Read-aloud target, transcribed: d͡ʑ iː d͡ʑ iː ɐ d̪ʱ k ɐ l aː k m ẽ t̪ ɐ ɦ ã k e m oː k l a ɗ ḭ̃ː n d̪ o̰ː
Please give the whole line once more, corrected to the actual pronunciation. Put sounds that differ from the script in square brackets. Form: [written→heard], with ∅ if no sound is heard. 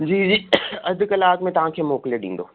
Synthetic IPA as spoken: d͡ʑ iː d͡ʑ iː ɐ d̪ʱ k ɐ l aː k m ẽ t̪ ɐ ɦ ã [k→kʰ] e m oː k l [a→e] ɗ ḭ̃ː n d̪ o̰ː